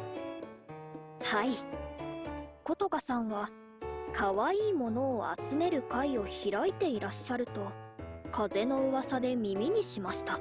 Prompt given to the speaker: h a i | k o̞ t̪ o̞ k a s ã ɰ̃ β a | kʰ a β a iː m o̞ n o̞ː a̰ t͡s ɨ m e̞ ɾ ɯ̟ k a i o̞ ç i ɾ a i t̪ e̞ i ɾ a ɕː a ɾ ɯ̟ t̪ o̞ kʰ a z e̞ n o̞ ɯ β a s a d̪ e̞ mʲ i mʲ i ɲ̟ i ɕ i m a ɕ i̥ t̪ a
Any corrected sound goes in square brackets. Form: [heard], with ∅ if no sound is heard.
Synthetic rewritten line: h a i | k o̞ t̪ o̞ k a s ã ɰ̃ β a | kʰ a β a iː m o̞ n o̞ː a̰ t͡s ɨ m e̞ ɾ ɯ̟ k a i o̞ ç i ɾ a i t̪ e̞ i ɾ a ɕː a ɾ ɯ̟ t̪ o̞ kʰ a z e̞ n o̞ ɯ β a s a d̪ e̞ mʲ i mʲ i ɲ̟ i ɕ i m a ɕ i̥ t̪ a